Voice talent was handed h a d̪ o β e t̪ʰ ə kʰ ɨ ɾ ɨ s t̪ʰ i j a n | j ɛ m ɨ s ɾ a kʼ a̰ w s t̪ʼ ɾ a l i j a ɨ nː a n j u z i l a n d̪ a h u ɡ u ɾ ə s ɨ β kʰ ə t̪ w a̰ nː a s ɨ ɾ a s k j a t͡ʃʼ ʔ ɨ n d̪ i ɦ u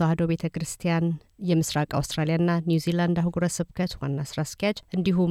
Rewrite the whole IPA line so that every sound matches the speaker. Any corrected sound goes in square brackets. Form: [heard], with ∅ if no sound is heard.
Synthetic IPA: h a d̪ o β e t̪ʰ ə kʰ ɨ ɾ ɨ s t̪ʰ i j a n | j ɛ m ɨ s ɾ a kʼ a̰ w s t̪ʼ ɾ a l i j a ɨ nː a n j u z i l a n d̪ a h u ɡ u ɾ ə s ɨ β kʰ ə t̪ w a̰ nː a s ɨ ɾ a s k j a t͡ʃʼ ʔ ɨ n d̪ i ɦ u